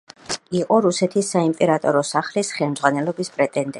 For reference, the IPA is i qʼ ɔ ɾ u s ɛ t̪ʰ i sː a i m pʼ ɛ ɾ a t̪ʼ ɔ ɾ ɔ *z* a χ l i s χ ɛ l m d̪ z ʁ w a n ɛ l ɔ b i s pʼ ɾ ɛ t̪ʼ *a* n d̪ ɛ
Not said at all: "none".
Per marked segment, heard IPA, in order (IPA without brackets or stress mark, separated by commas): s, ɛ